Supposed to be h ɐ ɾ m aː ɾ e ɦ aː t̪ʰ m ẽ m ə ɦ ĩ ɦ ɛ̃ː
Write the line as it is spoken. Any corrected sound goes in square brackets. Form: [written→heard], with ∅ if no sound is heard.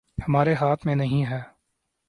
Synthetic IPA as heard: h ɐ [ɾ→∅] m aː ɾ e ɦ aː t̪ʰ m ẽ [m→n] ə ɦ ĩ ɦ [ɛ̃ː→ɛː]